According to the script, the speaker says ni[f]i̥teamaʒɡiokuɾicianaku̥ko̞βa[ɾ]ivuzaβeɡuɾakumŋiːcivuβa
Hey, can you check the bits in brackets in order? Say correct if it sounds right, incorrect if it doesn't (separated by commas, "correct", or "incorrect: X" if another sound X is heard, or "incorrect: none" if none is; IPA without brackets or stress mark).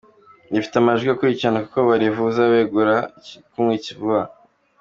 correct, correct